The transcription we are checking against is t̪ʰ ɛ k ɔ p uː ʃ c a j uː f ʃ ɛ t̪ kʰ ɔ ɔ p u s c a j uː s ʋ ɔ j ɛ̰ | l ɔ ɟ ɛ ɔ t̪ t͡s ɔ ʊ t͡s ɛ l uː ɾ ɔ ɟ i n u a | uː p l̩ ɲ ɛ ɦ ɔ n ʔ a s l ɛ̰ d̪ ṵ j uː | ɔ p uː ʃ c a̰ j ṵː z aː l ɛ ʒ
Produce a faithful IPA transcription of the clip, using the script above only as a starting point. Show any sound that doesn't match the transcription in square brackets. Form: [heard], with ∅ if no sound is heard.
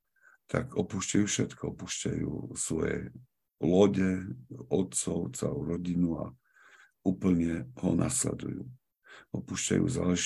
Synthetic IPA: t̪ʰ [a] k ɔ p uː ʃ c a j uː f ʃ ɛ t̪ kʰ ɔ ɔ p u [ʃ] c a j uː s ʋ ɔ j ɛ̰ | l ɔ ɟ ɛ ɔ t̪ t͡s ɔ ʊ t͡s ɛ l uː ɾ ɔ ɟ i n u a | uː p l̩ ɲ ɛ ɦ ɔ n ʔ a s l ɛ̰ d̪ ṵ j uː | ɔ p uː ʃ c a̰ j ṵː z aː l ɛ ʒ